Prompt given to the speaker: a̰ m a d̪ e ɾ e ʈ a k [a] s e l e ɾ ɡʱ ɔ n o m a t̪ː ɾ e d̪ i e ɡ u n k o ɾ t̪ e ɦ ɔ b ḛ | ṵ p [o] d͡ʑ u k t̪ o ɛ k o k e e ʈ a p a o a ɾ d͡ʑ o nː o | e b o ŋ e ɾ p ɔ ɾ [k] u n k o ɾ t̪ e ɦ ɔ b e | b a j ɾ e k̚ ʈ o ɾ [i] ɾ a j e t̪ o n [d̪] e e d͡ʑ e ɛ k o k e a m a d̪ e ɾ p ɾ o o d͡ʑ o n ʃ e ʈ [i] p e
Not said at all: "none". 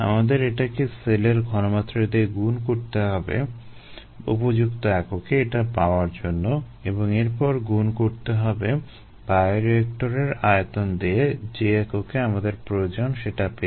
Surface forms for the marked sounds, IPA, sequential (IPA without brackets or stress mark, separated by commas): e, o, ɡ, e, d̪, a